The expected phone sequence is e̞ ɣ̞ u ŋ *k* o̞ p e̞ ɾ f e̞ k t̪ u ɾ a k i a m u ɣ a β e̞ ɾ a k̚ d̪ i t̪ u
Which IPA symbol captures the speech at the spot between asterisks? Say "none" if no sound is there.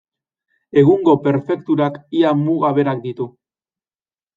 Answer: ɡ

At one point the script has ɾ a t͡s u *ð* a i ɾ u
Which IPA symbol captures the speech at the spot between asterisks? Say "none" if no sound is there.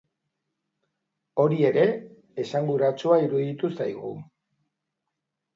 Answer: none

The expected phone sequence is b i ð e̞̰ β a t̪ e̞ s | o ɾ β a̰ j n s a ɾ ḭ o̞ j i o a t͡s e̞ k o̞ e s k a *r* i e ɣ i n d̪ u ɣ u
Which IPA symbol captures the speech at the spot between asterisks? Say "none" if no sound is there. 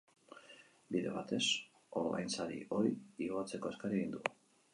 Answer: ɾ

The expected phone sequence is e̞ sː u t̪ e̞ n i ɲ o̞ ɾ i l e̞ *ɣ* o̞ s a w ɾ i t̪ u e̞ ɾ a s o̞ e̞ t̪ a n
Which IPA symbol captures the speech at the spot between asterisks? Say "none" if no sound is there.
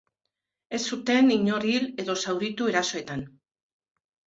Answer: ð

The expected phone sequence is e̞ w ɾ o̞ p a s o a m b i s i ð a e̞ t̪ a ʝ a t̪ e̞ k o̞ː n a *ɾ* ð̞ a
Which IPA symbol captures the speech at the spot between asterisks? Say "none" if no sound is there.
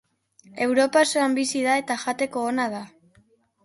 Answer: none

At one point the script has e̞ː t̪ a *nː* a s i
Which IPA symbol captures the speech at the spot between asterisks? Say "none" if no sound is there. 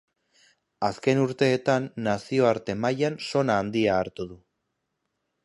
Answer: nː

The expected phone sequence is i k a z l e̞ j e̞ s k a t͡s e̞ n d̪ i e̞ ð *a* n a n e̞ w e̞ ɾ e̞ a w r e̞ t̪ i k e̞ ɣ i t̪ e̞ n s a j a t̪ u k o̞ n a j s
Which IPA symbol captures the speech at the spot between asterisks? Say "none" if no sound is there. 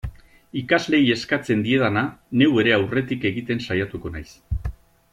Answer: a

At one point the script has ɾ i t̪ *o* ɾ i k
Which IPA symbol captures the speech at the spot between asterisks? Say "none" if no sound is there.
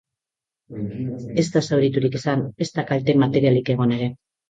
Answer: u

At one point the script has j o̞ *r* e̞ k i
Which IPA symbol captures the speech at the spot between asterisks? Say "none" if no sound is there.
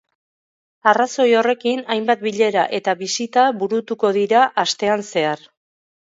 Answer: r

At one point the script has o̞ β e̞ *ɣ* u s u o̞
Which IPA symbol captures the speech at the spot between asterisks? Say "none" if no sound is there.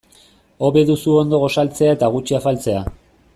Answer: ð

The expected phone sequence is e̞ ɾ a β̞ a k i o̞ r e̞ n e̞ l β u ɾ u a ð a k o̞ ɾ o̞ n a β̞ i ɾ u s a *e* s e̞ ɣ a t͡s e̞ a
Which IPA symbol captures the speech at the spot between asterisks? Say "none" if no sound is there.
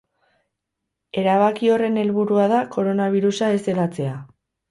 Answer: e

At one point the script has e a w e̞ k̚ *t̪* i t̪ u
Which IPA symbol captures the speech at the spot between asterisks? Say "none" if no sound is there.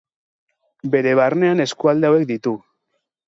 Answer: d̪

